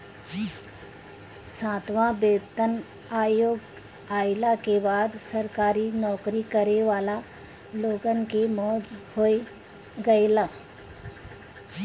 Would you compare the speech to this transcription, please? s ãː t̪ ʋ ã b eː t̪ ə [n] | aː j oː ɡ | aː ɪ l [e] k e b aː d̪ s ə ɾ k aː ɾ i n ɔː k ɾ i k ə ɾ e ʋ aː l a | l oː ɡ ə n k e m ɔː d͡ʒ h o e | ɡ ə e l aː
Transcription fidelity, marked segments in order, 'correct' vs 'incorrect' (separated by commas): correct, incorrect